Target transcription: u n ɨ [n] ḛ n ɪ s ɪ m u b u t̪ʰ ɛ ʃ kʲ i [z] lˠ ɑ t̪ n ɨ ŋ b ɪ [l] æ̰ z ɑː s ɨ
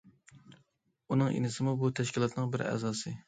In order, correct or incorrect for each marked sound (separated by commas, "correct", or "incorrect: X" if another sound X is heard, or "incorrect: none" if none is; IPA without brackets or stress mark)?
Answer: incorrect: ŋ, incorrect: none, incorrect: ɾ